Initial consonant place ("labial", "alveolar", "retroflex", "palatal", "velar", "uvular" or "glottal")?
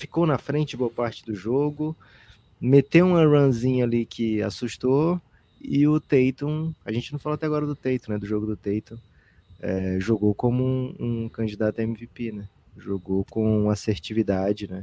labial